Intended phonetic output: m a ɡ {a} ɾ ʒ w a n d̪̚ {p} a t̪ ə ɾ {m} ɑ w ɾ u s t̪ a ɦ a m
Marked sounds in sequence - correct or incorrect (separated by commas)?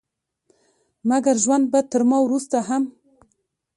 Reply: correct, incorrect, correct